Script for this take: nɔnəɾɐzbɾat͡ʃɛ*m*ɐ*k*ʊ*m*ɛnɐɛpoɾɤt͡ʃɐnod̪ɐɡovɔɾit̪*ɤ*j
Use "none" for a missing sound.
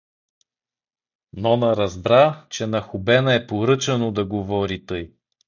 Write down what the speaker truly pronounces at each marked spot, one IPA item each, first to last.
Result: n, x, b, ɤ

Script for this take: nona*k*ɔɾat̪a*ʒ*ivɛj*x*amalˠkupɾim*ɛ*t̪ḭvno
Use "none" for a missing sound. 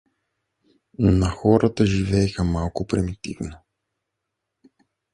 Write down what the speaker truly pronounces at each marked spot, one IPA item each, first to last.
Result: x, ʒ, x, i

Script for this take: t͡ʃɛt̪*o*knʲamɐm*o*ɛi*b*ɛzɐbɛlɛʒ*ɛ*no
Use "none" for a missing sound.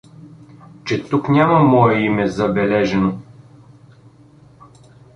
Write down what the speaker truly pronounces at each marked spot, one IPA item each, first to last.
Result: u, ɔ, m, ɛ

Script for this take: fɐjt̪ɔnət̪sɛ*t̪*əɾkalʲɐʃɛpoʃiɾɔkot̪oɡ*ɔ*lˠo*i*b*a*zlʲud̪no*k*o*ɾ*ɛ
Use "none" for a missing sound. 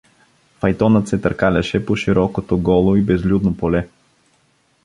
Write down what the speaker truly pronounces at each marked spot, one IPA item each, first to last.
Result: t̪, ɔ, i, ɛ, p, l

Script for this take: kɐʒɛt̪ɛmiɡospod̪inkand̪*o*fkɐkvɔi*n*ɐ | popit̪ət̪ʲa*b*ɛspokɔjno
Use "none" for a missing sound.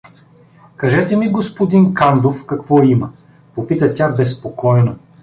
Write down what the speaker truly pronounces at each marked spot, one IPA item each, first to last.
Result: o, m, b

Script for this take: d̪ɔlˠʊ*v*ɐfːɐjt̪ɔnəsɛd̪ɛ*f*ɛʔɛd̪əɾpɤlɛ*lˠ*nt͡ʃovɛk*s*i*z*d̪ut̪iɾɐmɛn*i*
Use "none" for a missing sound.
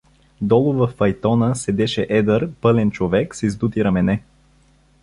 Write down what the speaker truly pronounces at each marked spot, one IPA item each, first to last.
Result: v, ʃ, none, s, z, ɛ

